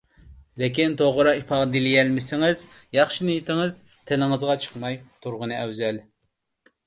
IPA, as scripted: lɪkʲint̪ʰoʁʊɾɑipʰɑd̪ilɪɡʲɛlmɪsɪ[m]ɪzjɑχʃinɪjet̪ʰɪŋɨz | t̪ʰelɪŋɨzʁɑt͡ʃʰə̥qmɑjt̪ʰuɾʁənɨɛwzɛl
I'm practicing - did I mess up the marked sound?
yes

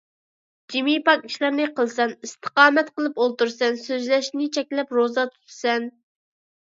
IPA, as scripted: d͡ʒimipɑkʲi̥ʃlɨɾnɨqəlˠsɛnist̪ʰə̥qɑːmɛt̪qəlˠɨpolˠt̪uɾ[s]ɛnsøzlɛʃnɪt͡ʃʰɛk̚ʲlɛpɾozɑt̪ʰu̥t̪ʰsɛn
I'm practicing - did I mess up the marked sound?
no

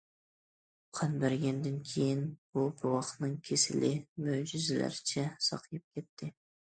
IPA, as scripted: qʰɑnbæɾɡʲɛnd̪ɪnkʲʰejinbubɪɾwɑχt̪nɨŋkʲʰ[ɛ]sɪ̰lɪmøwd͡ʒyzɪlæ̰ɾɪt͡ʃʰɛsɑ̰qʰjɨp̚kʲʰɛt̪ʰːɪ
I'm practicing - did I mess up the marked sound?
yes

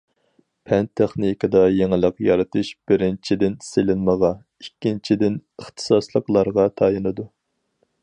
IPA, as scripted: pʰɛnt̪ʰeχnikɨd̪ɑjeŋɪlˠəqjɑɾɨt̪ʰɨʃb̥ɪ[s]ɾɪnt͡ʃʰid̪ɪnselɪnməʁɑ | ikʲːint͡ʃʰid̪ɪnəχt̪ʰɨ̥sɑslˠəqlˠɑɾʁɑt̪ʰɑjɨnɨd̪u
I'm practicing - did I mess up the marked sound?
yes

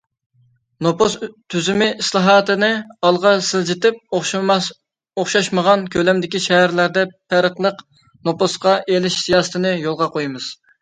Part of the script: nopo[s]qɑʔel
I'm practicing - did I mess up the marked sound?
no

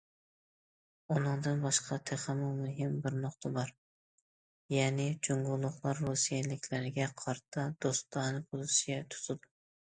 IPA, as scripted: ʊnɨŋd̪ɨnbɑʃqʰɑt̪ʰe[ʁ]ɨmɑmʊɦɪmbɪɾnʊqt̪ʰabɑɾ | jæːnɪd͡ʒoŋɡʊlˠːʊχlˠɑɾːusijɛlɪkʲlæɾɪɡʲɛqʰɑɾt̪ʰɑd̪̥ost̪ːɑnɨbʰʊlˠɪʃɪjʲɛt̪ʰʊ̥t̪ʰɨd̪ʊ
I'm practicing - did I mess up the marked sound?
yes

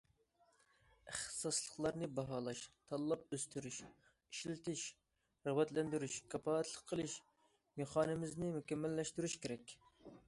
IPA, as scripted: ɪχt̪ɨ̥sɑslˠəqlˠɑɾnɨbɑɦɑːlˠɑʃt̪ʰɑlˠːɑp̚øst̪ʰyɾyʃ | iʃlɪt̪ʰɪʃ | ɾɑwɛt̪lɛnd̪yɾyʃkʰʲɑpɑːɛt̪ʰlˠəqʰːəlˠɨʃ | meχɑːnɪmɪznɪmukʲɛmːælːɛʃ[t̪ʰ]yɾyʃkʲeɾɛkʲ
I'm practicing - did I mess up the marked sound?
yes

